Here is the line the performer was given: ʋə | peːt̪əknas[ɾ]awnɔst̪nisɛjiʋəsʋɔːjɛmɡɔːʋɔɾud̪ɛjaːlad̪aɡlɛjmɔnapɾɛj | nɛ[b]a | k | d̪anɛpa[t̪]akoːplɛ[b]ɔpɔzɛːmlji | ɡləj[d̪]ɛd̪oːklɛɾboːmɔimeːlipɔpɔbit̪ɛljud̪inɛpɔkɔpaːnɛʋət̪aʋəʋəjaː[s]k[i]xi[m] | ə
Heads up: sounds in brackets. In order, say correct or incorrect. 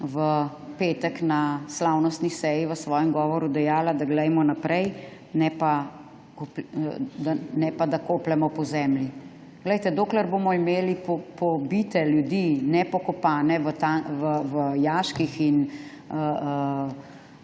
incorrect: l, incorrect: p, incorrect: d̪, incorrect: m, incorrect: t̪, incorrect: ʃ, correct, incorrect: n

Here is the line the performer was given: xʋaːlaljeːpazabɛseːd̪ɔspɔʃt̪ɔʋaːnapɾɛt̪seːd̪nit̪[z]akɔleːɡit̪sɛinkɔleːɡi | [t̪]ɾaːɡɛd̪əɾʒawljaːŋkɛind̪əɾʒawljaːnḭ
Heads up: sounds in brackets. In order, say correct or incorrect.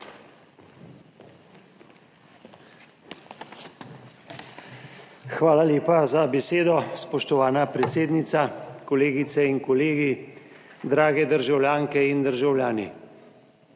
incorrect: s, incorrect: d̪

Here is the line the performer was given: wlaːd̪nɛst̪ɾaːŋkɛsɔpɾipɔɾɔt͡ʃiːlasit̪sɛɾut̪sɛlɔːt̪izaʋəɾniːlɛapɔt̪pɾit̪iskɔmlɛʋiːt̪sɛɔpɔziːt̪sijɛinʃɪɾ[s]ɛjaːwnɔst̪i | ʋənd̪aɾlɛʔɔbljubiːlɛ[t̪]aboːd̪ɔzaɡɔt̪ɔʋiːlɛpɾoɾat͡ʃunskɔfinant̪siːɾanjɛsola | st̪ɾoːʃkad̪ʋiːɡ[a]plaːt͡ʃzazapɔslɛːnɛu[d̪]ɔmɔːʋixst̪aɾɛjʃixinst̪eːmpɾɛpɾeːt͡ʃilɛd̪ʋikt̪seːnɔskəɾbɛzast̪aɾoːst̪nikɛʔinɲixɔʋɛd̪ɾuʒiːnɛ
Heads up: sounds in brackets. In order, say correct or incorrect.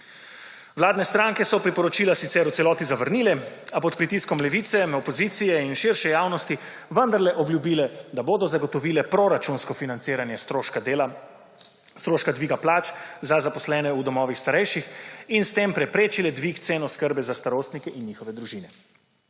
incorrect: ʃ, incorrect: d̪, correct, correct

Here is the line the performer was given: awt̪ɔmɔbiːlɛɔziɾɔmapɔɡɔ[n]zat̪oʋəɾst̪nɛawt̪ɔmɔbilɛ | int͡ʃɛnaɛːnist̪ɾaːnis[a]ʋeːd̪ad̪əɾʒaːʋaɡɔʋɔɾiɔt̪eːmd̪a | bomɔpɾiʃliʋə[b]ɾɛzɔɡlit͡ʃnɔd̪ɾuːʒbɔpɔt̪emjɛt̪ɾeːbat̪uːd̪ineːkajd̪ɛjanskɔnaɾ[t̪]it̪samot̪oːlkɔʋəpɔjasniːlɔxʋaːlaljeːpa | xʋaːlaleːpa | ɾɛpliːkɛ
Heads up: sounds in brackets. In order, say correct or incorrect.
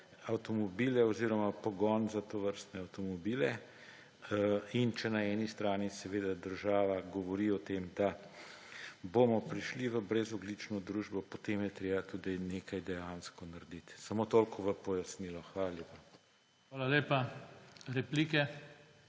correct, incorrect: ɛ, correct, incorrect: d̪

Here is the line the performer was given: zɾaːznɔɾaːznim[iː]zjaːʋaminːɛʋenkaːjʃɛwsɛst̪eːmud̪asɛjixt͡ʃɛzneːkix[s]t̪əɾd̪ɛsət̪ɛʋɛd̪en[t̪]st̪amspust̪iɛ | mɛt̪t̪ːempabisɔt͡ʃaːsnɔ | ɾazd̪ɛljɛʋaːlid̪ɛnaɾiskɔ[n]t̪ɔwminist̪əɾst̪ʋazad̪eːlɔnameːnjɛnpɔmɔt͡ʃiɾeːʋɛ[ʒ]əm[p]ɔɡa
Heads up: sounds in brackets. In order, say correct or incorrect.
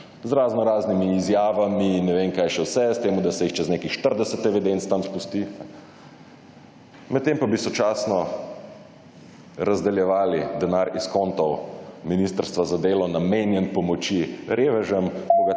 correct, incorrect: ʃ, correct, correct, correct, incorrect: k

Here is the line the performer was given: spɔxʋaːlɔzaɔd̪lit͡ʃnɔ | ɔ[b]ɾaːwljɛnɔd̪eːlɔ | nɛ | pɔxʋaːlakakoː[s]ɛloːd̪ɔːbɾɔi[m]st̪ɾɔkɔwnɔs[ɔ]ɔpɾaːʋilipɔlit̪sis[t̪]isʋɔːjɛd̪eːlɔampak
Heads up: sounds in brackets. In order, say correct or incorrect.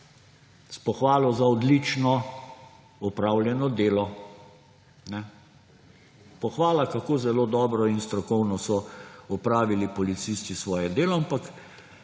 incorrect: p, incorrect: z, incorrect: n, correct, correct

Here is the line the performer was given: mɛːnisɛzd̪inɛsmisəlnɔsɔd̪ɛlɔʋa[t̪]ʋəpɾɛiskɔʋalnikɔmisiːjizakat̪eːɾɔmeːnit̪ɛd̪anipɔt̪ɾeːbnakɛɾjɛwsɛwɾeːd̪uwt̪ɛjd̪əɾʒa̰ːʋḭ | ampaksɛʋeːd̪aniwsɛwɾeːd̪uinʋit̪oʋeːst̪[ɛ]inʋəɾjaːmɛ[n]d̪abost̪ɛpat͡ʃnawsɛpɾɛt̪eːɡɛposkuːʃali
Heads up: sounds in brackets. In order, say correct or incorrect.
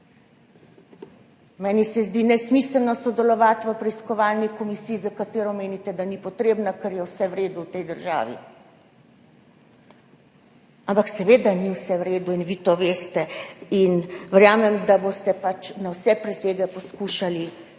correct, correct, incorrect: m

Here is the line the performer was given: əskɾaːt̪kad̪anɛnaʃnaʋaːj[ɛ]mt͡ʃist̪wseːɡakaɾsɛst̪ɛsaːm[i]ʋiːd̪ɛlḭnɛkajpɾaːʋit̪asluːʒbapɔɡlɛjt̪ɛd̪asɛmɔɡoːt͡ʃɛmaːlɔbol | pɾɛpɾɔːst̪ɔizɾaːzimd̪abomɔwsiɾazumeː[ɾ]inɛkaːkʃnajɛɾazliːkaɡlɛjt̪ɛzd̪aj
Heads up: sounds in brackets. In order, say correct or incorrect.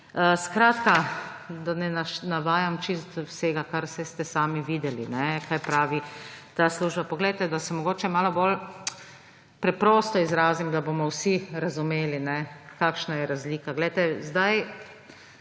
incorrect: a, correct, incorrect: l

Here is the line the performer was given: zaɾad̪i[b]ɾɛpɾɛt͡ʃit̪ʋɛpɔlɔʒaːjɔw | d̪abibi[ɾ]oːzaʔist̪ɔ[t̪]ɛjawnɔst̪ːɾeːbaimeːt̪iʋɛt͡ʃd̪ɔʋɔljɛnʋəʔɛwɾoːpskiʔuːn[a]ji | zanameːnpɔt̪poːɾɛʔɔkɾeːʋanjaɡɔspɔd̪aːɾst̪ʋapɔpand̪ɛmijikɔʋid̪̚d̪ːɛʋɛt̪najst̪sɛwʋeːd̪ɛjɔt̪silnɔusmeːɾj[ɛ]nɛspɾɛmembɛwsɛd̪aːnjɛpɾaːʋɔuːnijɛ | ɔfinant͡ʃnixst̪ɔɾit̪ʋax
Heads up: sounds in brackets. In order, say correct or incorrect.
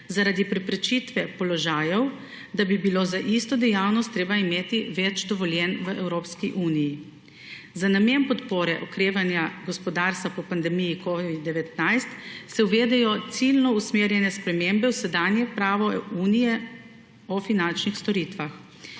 incorrect: p, incorrect: l, incorrect: d̪, incorrect: i, correct

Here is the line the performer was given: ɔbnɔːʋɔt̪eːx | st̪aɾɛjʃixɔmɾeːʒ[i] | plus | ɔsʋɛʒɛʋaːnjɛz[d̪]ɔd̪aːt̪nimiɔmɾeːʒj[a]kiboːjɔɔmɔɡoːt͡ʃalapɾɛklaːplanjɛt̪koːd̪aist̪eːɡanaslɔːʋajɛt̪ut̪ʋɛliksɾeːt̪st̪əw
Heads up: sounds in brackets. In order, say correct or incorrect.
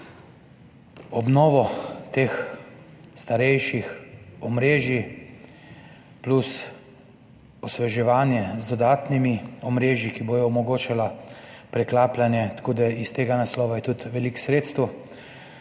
correct, correct, incorrect: i

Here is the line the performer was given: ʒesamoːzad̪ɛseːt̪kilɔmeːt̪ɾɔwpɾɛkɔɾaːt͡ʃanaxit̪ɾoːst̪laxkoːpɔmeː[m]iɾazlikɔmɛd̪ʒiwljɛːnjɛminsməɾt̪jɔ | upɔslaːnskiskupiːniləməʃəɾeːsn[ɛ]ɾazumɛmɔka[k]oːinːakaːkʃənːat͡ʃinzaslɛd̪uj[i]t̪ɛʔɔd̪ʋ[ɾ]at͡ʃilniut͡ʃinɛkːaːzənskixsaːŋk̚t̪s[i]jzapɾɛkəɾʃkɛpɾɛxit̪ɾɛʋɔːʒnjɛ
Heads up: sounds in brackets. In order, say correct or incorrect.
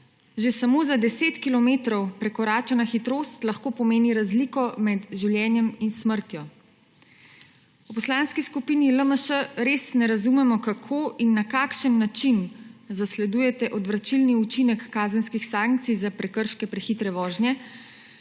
incorrect: n, correct, incorrect: kʰ, incorrect: ɛ, correct, correct

